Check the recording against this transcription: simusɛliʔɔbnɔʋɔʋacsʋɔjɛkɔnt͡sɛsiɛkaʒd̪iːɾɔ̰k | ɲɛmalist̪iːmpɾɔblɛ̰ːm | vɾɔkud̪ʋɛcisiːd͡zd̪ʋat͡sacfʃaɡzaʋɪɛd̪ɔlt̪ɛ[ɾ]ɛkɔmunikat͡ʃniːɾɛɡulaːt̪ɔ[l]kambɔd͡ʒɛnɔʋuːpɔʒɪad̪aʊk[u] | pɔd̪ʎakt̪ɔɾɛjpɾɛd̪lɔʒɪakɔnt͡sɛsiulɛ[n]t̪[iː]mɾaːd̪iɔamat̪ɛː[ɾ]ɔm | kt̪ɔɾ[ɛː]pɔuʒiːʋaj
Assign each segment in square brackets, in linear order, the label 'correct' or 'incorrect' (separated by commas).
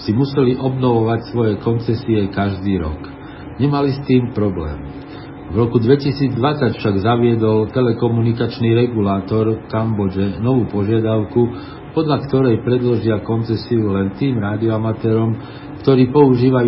incorrect, incorrect, correct, correct, correct, correct, incorrect